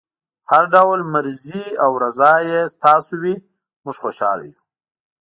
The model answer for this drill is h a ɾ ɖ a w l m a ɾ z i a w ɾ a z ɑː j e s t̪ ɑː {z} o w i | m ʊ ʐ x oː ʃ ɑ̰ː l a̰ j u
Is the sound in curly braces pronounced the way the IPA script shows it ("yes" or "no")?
no